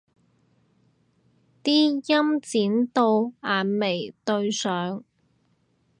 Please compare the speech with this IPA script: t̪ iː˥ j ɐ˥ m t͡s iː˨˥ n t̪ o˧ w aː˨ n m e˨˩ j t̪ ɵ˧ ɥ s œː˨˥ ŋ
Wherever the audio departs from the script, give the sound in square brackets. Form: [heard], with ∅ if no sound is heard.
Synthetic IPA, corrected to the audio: t̪ iː˥ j ɐ˥ m t͡s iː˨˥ n t̪ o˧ w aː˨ n m e˨˩ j t̪ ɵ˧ ɥ s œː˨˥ ŋ